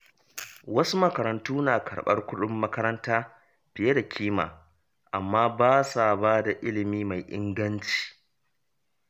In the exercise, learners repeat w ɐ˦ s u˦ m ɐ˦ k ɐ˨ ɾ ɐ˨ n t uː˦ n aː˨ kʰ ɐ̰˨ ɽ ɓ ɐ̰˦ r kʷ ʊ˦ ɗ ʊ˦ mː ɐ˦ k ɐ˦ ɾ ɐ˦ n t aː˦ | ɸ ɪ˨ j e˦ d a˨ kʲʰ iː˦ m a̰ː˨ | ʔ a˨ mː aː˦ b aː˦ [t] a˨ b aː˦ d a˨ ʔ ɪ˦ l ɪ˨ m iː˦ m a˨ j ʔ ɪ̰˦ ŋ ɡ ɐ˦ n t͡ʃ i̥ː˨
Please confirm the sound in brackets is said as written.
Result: no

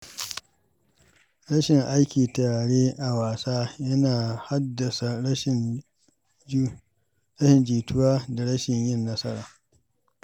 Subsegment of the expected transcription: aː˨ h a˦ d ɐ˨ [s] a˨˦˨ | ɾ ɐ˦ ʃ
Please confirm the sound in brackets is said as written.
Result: yes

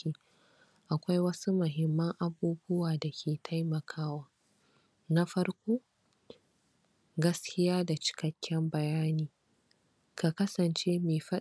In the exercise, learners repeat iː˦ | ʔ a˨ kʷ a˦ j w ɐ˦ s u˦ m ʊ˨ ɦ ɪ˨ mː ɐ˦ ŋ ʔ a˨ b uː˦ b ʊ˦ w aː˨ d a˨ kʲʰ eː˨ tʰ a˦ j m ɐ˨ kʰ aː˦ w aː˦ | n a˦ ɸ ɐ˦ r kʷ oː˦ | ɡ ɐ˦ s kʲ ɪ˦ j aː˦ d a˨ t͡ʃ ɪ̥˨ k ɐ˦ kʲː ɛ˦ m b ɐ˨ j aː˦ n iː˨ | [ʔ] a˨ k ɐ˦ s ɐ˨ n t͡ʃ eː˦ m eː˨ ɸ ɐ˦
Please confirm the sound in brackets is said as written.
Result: no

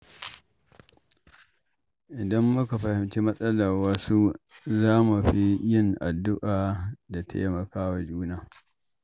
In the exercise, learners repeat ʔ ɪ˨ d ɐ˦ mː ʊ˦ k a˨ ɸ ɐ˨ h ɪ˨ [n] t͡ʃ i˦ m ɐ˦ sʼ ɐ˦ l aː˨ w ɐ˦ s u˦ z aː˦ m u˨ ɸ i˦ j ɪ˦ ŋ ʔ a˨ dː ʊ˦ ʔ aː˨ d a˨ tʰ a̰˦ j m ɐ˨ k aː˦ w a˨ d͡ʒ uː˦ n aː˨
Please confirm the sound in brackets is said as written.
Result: no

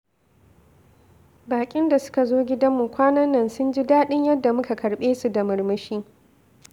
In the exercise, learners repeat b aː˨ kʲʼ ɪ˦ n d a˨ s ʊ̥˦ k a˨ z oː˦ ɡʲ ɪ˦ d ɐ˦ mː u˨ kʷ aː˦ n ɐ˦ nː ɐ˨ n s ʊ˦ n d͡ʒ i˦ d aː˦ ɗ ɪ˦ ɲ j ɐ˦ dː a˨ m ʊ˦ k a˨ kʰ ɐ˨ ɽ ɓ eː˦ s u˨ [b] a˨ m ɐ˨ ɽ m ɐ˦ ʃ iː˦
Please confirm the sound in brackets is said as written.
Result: no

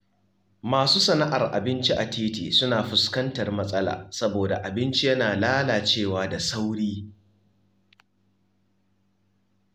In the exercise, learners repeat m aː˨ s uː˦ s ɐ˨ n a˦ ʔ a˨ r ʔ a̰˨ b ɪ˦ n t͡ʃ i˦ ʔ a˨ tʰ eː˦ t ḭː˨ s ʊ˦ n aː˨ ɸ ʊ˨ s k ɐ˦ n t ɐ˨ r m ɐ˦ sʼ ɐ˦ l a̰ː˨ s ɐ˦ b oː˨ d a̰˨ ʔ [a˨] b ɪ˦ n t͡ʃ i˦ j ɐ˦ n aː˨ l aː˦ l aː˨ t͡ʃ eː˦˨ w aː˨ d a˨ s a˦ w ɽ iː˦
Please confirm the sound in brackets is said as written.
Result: yes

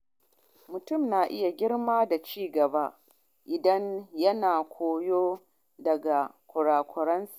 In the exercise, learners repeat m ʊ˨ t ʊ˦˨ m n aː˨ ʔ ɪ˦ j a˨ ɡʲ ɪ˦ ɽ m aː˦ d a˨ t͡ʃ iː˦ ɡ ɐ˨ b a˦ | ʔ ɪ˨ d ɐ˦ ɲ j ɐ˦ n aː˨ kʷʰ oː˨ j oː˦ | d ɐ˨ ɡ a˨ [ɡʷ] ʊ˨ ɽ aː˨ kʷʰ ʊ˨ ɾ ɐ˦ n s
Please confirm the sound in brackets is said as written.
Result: no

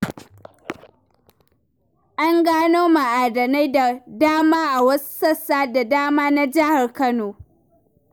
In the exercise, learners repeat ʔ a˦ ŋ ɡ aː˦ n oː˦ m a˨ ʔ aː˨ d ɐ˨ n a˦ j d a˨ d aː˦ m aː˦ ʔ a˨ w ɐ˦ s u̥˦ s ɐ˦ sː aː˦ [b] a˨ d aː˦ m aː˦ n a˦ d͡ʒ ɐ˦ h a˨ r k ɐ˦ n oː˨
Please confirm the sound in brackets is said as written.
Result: no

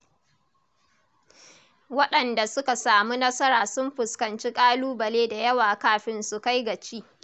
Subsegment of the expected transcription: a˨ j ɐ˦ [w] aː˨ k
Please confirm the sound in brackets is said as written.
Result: yes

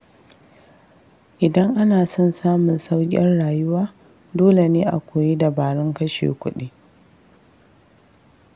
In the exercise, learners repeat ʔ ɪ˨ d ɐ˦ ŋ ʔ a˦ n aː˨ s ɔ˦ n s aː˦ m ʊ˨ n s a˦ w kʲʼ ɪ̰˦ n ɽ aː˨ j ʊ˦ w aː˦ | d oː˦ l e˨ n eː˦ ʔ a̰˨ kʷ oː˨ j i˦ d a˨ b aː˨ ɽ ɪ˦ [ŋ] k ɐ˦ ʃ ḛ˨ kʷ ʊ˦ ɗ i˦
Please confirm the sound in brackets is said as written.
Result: yes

